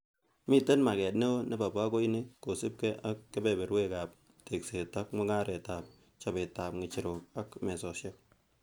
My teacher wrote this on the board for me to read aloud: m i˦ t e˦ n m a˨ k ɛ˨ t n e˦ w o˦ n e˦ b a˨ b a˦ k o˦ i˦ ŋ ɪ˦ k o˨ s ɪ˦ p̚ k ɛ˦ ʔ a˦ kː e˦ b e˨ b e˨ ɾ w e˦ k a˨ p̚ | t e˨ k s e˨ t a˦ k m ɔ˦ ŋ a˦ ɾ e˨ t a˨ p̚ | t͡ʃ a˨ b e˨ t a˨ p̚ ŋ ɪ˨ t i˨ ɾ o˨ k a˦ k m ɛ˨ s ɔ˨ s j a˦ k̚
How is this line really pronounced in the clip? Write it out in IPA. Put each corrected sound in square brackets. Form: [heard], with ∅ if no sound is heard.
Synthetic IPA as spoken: m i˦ t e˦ n m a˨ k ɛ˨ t n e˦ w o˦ n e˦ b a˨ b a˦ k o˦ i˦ [n] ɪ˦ k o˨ s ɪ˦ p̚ k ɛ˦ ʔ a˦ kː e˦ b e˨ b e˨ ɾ w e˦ k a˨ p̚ | t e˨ k s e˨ t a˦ k m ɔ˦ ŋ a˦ ɾ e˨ t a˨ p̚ | t͡ʃ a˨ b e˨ t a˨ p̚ ŋ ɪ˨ [t͡ʃ] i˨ ɾ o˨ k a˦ k m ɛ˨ s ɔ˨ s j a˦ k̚

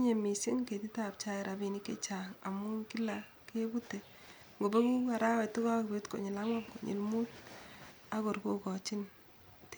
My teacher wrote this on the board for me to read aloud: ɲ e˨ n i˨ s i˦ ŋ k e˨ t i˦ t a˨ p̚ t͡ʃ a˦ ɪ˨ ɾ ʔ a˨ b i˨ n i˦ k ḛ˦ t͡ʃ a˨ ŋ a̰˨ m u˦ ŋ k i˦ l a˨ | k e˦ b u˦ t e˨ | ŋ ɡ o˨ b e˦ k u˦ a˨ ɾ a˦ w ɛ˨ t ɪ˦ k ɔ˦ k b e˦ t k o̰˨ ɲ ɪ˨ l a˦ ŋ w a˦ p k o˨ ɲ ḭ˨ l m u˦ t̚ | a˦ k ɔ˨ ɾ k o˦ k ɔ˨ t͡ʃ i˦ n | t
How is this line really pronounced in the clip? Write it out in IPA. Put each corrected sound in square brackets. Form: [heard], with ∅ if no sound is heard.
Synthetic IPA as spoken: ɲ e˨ [m] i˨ s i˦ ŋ k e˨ t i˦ t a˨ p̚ t͡ʃ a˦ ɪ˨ ɾ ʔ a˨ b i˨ n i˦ k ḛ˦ t͡ʃ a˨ ŋ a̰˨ m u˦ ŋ k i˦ l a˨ | k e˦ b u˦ t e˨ | ŋ ɡ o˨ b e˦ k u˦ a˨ ɾ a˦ w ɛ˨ t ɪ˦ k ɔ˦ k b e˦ t k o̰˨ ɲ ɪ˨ l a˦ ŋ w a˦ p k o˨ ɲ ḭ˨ l m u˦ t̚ | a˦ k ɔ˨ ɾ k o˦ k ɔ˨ t͡ʃ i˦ n | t

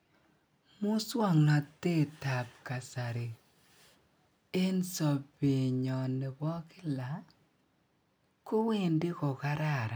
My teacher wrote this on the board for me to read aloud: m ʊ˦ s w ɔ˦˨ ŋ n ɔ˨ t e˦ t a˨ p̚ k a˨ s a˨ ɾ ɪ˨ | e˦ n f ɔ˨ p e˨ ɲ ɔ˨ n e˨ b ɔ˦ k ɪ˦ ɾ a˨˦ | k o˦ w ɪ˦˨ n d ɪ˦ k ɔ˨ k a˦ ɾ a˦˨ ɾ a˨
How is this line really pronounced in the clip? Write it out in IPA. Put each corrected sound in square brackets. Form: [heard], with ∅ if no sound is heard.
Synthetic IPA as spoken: m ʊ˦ s w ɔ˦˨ ŋ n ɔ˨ t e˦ t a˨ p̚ k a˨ s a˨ ɾ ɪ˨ | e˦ n [s] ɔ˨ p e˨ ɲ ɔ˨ n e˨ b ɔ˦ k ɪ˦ [l] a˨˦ | k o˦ w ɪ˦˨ n d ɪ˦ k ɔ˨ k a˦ ɾ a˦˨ ɾ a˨

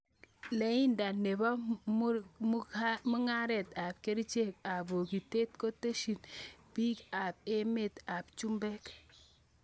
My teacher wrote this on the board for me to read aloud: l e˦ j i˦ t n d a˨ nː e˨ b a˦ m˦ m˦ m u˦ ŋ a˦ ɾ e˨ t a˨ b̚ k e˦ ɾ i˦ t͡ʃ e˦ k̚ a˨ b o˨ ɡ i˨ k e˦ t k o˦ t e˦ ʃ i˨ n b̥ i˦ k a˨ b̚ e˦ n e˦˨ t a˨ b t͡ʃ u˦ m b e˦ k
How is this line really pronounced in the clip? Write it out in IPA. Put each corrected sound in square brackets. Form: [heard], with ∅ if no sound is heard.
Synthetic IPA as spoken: l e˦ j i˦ [∅] n d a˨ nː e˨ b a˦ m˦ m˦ m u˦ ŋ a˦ ɾ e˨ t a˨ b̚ k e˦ ɾ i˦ t͡ʃ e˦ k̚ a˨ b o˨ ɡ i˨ [t] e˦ t k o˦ t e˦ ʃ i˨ n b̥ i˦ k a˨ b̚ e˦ [m] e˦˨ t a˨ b t͡ʃ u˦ m b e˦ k

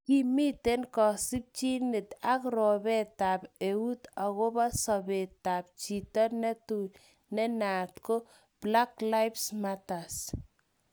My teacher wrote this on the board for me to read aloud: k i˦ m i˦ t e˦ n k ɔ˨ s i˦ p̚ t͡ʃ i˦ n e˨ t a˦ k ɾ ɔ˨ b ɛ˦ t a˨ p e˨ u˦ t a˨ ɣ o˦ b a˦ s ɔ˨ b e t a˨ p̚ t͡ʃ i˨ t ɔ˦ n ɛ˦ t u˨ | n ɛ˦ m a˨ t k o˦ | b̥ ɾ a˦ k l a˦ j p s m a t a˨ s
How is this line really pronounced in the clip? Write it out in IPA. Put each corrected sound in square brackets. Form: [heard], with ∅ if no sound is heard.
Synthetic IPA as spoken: k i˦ m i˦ t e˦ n k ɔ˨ s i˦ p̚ t͡ʃ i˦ n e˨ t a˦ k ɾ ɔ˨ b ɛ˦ t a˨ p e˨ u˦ t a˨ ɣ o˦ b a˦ s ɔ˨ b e t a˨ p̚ t͡ʃ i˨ t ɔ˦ n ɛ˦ t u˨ | n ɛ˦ [n] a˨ t k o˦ | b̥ [l] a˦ k l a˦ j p s m a t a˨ s

